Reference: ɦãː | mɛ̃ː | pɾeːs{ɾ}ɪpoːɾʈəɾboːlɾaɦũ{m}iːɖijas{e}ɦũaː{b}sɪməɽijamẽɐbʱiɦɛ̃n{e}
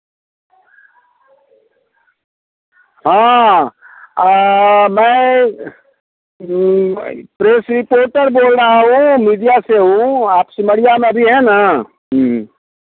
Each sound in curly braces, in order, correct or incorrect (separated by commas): correct, correct, correct, incorrect, incorrect